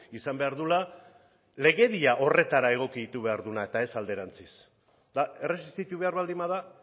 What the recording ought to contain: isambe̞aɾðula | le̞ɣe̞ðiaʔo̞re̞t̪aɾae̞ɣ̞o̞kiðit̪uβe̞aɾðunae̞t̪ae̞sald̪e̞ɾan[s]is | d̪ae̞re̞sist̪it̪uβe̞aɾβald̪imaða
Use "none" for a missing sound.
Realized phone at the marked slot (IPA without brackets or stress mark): t͡s